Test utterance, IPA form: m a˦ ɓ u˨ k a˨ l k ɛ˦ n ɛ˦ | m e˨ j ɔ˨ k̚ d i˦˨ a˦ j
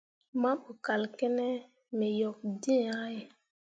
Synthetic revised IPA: m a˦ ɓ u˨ k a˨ l k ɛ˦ n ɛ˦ | m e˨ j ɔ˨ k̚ d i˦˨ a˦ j